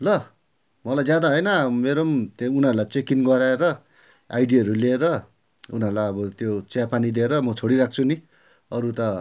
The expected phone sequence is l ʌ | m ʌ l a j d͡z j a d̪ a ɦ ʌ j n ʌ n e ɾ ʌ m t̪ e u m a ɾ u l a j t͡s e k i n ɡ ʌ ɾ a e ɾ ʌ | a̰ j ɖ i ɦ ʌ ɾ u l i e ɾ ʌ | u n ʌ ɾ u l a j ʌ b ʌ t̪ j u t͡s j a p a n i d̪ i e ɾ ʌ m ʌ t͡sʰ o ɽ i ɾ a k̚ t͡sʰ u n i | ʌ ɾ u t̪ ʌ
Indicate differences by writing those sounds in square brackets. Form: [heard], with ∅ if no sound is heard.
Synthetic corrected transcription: l ʌ | m ʌ l a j d͡z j a d̪ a ɦ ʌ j n ʌ [m] e ɾ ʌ m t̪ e u [n] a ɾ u l a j t͡s e k i n ɡ ʌ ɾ a e ɾ ʌ | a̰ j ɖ i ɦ ʌ ɾ u l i e ɾ ʌ | u n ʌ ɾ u l a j ʌ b ʌ t̪ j [o] t͡s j a p a n i d̪ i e ɾ ʌ m ʌ t͡sʰ o ɽ i ɾ a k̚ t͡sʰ u n i | ʌ ɾ u t̪ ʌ